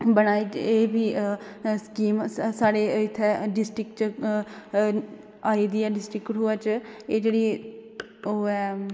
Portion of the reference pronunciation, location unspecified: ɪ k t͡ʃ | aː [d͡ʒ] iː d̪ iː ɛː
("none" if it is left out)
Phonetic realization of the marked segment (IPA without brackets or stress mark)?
none